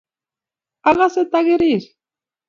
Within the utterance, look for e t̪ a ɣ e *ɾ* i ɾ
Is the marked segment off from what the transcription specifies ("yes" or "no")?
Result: no